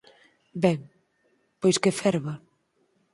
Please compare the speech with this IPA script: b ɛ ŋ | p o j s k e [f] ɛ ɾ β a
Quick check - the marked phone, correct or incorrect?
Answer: correct